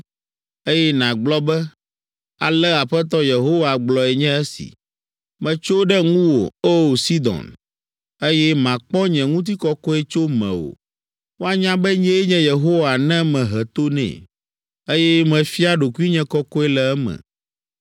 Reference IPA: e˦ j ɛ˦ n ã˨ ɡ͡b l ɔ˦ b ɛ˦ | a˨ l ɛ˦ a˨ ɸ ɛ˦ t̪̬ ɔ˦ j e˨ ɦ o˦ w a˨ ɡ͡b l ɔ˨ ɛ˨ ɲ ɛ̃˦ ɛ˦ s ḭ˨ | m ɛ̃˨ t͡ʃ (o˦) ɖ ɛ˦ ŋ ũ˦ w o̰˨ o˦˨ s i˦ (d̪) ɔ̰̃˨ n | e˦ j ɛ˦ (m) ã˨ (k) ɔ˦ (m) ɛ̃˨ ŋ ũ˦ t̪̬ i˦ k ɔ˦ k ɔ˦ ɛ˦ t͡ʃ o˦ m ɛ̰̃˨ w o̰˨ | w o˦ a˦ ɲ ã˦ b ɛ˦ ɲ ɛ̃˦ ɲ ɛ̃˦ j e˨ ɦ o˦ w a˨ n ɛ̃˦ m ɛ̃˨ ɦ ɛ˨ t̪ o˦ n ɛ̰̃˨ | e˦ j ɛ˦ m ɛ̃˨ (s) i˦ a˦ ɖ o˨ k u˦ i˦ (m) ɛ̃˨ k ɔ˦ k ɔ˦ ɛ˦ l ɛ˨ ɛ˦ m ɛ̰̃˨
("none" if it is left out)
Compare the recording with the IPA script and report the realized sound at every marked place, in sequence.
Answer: o˦, d̪, m, k͡p, ɲ, f, ɲ

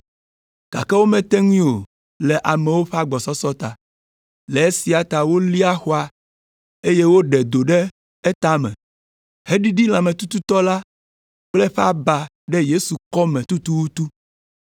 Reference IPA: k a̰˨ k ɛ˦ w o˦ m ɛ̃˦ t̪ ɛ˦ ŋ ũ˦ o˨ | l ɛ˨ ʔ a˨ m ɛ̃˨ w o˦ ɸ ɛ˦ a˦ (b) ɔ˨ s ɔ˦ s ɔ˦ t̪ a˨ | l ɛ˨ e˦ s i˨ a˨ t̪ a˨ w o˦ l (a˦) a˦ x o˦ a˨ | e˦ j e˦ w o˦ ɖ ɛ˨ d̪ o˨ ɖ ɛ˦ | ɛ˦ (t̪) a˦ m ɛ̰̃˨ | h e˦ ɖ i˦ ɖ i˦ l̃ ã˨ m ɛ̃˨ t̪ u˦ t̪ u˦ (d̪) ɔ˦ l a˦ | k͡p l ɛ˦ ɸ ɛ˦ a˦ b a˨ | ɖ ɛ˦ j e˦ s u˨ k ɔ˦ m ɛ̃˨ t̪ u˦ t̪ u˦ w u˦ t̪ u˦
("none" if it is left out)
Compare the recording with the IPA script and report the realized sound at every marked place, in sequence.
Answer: ɡ͡b, i˦, t̪, t̪

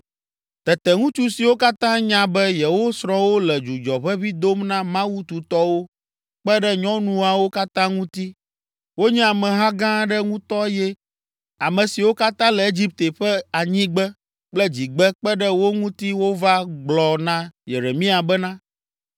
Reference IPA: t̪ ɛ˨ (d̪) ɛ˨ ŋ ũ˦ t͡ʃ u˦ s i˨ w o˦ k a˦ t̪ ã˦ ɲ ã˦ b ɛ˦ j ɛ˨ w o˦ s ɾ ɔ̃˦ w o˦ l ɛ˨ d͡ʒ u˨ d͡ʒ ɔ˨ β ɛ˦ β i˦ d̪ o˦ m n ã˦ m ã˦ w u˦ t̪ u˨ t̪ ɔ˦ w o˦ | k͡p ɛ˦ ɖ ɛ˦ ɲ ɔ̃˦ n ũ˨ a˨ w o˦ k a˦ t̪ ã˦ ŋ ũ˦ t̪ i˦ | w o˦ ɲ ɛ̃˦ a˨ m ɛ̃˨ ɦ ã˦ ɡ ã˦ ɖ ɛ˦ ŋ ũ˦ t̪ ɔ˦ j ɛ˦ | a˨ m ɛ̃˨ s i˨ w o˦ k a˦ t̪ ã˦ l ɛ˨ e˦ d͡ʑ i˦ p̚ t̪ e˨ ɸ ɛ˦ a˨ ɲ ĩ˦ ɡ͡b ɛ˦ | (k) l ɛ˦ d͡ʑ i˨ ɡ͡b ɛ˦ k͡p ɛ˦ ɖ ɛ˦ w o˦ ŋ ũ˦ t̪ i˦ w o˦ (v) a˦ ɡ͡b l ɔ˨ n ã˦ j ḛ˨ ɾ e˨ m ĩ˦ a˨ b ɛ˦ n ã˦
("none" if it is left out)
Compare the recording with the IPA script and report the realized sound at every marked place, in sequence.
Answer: t̪, k͡p, v

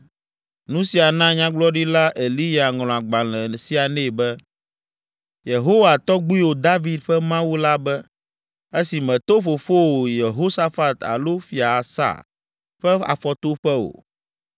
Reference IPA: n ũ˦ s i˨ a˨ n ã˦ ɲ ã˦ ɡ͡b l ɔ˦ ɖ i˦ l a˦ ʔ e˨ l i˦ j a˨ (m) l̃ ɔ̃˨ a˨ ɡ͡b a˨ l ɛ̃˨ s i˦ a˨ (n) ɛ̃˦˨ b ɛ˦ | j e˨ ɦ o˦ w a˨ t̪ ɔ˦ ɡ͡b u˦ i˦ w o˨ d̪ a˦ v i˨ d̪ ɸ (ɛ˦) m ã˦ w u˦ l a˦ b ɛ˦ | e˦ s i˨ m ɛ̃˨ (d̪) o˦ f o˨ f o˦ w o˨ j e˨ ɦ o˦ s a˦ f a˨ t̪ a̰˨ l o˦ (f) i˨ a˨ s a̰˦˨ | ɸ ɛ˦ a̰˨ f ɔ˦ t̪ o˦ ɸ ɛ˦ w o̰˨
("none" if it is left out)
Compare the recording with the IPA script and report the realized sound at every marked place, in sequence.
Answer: ŋ, n, ɛ˦, t̪, f

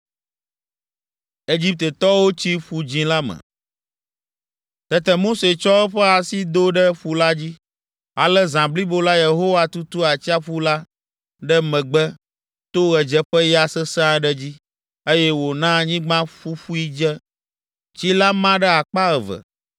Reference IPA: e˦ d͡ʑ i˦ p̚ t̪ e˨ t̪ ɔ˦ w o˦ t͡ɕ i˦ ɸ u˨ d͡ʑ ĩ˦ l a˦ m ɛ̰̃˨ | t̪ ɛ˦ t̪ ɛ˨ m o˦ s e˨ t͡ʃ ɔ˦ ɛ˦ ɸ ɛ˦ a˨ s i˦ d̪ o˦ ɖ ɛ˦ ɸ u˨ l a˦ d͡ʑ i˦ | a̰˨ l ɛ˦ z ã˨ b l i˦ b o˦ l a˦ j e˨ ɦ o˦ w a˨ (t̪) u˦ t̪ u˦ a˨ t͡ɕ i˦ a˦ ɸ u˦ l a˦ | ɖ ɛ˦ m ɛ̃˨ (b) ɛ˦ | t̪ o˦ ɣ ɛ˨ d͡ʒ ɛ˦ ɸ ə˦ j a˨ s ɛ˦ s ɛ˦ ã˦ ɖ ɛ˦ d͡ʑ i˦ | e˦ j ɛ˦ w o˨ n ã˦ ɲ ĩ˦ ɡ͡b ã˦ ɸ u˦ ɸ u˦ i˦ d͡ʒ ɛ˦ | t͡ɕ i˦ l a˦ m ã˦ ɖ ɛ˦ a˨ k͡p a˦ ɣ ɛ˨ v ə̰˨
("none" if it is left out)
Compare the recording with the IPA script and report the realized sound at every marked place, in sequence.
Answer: t̪, ɡ͡b

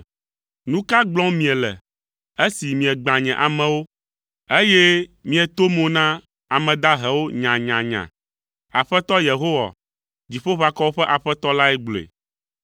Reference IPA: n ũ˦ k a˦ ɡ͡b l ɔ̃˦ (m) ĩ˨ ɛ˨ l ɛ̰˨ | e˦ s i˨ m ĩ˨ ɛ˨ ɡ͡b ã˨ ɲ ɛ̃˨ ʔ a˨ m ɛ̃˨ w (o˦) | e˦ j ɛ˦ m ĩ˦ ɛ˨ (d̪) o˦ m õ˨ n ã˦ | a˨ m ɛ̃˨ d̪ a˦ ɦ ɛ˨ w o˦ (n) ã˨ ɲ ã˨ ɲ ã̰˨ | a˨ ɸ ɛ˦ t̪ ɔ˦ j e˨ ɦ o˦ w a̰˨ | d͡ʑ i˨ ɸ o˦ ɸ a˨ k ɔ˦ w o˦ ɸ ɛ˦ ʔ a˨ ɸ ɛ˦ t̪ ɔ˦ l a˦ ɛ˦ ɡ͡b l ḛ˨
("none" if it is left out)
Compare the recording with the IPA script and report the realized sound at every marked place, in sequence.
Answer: m, o˦, t̪, ɲ

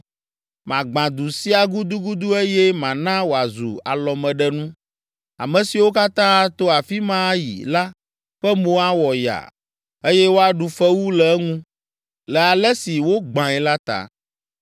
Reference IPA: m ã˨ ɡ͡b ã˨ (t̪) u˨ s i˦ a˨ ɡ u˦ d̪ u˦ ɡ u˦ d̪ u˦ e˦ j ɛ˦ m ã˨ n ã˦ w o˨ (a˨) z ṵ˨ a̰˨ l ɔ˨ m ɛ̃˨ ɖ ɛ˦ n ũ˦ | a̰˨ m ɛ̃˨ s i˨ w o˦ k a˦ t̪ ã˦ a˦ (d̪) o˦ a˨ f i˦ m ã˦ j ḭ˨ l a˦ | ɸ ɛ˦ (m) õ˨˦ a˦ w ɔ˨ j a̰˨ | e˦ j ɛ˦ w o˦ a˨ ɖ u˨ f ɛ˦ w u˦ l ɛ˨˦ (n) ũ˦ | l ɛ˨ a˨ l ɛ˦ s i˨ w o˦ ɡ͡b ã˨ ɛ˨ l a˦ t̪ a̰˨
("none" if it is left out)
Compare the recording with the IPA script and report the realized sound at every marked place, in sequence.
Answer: d̪, a˨, t̪, m, ŋ

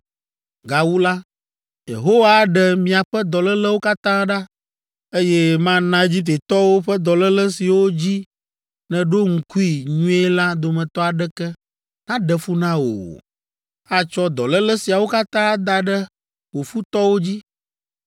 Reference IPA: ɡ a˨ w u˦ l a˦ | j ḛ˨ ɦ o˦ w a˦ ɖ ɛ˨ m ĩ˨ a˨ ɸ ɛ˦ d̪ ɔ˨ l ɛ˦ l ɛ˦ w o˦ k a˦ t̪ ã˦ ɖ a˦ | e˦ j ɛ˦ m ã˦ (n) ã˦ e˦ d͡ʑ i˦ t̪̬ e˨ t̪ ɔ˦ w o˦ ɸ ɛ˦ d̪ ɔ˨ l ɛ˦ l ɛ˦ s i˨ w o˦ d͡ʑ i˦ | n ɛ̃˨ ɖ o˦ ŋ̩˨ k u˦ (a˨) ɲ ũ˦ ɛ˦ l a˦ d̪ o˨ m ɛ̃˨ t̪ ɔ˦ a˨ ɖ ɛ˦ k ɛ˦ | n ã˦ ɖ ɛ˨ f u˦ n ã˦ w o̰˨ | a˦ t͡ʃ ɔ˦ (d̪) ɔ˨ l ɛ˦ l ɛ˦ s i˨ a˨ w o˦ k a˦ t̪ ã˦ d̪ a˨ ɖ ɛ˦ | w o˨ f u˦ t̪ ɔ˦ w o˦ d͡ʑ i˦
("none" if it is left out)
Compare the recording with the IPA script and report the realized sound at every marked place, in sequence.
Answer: n, i˨, d̪

